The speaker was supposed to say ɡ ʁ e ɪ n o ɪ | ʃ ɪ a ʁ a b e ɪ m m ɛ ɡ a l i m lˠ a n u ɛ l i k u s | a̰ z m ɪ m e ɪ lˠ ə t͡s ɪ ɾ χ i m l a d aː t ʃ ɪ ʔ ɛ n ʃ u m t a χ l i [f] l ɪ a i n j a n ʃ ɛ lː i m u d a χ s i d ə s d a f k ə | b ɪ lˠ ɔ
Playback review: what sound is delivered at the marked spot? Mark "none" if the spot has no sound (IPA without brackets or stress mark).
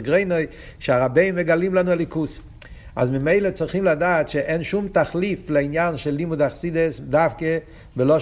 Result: f